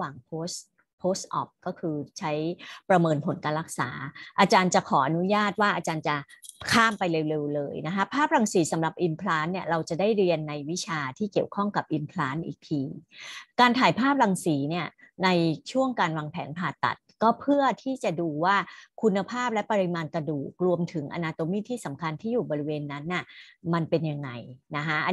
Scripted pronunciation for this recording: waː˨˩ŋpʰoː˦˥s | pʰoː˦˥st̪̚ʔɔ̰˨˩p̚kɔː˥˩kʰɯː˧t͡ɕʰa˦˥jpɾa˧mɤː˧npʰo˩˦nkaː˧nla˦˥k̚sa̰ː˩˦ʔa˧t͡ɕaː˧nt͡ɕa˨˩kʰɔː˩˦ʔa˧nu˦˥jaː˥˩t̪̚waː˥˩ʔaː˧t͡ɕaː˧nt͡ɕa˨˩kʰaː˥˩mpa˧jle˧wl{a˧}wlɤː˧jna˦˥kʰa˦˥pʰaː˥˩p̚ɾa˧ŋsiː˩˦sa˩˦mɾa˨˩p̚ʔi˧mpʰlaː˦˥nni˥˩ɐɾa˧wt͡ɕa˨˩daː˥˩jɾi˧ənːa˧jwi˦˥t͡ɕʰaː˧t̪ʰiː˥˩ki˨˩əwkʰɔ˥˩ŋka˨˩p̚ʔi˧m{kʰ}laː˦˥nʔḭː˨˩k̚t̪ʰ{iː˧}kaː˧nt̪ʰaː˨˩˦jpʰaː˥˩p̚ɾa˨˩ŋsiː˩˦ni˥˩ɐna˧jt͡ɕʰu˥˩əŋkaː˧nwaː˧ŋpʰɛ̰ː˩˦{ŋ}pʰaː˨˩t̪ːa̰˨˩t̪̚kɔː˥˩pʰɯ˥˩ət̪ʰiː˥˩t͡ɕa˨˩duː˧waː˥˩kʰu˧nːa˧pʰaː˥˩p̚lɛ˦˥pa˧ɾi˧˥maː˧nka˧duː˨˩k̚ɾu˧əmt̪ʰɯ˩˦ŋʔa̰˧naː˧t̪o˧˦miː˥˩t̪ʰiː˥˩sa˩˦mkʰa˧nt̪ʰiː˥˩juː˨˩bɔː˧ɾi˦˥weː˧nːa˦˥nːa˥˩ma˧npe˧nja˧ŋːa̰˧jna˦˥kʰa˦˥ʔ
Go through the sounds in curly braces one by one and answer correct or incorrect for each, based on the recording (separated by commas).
incorrect, incorrect, correct, incorrect